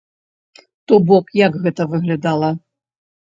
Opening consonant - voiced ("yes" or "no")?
no